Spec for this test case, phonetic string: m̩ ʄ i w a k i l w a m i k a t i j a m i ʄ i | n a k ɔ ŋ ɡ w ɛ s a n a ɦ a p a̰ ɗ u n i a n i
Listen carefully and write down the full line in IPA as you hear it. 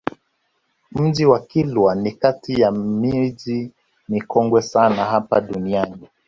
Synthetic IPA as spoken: m̩ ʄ i w a k i l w a n i k a t i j a m i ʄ i | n i k ɔ ŋ ɡ w ɛ s a n a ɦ a p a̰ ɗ u n i a n i

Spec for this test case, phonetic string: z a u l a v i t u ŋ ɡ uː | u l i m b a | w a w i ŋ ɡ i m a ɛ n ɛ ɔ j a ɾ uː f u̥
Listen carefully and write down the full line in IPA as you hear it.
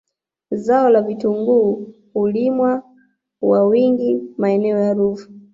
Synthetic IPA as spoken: z a ɔ l a v i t u ŋ ɡ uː | u l i m w a | w a w i ŋ ɡ i m a ɛ n ɛ ɔ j a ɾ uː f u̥

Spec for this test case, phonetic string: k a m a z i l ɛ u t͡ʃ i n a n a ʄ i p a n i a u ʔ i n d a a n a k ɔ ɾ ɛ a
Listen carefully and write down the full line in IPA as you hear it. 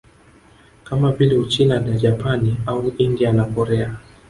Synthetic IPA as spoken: k a m a v i l ɛ u t͡ʃ i n a n a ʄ a p a n i a u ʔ i n d i a n a k ɔ ɾ ɛ a

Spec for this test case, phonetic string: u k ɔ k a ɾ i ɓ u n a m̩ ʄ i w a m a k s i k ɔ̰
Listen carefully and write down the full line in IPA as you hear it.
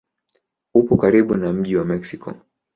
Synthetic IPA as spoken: u p ɔ k a ɾ i ɓ u n a m̩ ʄ i w a m ɛ k s i k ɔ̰

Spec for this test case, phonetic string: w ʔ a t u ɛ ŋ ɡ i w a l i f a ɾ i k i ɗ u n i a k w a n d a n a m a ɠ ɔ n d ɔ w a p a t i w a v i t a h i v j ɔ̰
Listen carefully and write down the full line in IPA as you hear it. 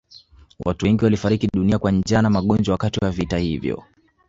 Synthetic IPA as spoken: w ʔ a t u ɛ ŋ ɡ i w a l i f a ɾ i k i ɗ u n i a k w a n d͡ʒ a n a m a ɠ ɔ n d͡ʒ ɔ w a k a t i w a v i t a h i v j ɔ̰

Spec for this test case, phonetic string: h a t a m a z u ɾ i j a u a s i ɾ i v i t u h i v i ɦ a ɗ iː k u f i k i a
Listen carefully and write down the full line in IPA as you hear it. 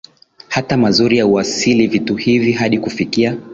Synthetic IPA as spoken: h a t a m a z u ɾ i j a u a s i l i v i t u h i v i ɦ a ɗ i k u f i k i a

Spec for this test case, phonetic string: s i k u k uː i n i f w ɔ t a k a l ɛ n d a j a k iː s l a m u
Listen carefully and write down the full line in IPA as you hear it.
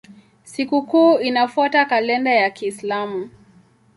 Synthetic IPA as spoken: s i k u k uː i n a f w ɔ t a k a l ɛ n d a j a k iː s l a m u

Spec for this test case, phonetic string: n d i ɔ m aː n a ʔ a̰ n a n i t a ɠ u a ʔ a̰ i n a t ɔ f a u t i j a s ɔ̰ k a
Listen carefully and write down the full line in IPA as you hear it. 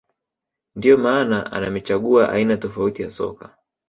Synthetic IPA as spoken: n d i ɔ m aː n a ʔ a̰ n a m i t͡ʃ a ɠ u a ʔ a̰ i n a t ɔ f a u t i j a s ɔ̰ k a

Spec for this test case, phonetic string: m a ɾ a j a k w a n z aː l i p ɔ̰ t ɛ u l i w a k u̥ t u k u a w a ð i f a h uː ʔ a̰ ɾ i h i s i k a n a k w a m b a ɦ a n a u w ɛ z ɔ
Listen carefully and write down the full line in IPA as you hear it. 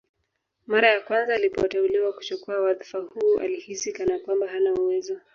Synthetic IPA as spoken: m a ɾ a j a k w a n z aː l i p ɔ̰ t ɛ u l i w a k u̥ t͡ʃ u k u a w a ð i f a h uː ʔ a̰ l i h i s i k a n a k w a m b a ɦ a n a u w ɛ z ɔ

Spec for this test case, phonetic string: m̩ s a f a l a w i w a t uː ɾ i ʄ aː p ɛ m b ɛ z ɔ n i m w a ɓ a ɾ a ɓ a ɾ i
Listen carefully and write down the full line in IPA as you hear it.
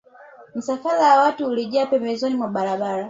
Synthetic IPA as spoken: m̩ s a f a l a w a w a t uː l i ʄ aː p ɛ m b ɛ z ɔ n i m w a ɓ a ɾ a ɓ a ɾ a

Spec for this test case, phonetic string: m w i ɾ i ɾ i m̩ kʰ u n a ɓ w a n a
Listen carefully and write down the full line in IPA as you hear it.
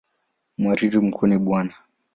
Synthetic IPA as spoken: m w a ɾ i ɾ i m̩ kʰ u n i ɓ w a n a

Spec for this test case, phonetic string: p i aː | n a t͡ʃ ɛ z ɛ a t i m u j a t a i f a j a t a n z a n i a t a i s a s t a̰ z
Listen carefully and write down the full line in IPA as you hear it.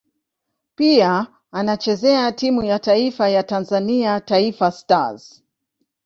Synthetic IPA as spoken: p i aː | n a t͡ʃ ɛ z ɛ a t i m u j a t a i f a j a t a n z a n i a t a i f a s t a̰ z

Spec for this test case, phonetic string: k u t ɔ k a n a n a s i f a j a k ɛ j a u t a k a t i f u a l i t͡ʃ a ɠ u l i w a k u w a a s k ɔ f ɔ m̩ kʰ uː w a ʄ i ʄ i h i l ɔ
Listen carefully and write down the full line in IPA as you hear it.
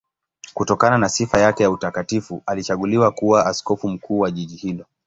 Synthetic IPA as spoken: k u t ɔ k a n a n a s i f a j a k ɛ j a u t a k a t i f u a l i t͡ʃ a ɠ u l i w a k u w a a s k ɔ f u m̩ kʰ uː w a ʄ i ʄ i h i l ɔ

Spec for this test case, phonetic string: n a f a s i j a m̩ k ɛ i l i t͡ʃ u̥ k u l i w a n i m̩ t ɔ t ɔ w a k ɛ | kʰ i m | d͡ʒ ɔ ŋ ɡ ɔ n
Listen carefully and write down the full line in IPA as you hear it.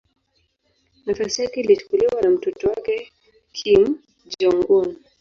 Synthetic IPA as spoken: n a f a s i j a k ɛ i l i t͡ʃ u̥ k u l i w a n a m̩ t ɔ t ɔ w a k ɛ | kʰ i m | d͡ʒ ɔ ŋ ɡ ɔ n

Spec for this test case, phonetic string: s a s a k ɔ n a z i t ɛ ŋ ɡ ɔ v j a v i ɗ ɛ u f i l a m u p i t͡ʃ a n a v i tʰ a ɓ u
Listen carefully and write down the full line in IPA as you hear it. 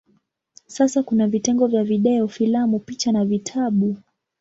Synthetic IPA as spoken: s a s a k u n a v i t ɛ ŋ ɡ ɔ v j a v i ɗ ɛ ɔ f i l a m u p i t͡ʃ a n a v i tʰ a ɓ u

